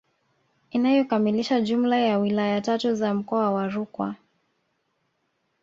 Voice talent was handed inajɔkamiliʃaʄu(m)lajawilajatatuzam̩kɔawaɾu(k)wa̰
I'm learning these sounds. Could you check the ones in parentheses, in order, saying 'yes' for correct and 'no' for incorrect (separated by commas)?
yes, yes